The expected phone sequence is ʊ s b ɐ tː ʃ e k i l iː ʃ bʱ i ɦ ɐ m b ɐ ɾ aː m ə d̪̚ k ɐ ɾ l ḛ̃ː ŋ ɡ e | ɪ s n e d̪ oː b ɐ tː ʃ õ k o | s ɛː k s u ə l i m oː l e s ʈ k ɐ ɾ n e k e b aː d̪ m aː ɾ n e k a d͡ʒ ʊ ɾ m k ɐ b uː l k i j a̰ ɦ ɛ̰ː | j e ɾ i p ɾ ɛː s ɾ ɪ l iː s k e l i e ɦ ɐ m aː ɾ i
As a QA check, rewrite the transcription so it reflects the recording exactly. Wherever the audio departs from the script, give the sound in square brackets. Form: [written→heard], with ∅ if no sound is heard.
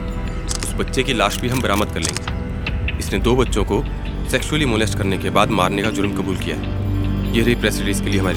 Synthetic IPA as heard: ʊ s b ɐ tː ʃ e k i l [iː→aː] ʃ bʱ i ɦ ɐ m b ɐ ɾ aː m ə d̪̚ k ɐ ɾ l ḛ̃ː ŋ ɡ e | ɪ s n e d̪ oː b ɐ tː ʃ õ k o | s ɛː k [s→ʃ] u ə l i m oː l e s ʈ k ɐ ɾ n e k e b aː d̪ m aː ɾ n e k a d͡ʒ ʊ ɾ m k ɐ b uː l k i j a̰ ɦ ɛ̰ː | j e ɾ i p ɾ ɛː s ɾ ɪ l iː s k e l i e ɦ ɐ m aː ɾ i